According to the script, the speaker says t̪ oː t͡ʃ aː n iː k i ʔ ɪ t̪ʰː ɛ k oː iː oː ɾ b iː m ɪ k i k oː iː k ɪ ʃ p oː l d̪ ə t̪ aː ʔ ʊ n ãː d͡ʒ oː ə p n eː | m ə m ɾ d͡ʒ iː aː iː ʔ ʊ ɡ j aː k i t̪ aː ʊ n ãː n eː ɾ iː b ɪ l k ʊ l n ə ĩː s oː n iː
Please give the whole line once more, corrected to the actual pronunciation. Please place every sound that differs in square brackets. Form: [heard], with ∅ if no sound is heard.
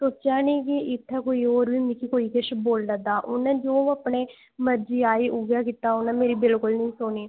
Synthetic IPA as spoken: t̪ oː t͡ʃ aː n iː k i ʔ ɪ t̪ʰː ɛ k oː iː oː ɾ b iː m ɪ k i k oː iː k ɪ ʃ [b] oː l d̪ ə [d̪] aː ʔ ʊ n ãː d͡ʒ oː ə p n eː | m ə [∅] ɾ d͡ʒ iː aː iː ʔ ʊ ɡ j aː k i t̪ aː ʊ n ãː [m] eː ɾ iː b ɪ l k ʊ l n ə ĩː s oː n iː